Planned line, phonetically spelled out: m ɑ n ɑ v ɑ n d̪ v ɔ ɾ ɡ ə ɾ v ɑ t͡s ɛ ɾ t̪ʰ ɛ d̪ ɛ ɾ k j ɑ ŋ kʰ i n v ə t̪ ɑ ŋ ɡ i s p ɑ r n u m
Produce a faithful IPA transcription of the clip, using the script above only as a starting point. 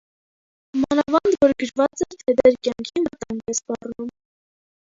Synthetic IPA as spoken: m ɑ n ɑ v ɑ n d̪ v ɔ ɾ ɡ ə ɾ v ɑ t͡s ɛ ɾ t̪ʰ ɛ d̪ ɛ ɾ k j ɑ ŋ kʰ i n v ə t̪ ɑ ŋ ɡ ɛ s p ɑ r n u m